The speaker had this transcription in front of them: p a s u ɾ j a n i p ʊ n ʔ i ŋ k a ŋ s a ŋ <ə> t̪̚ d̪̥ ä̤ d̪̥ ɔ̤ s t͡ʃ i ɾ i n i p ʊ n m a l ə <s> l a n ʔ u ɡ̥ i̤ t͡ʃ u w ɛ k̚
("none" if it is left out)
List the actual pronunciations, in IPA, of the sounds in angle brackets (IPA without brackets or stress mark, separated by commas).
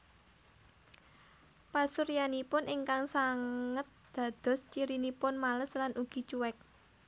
ə, s